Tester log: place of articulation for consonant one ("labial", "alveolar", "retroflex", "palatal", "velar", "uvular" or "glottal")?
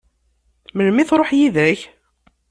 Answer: labial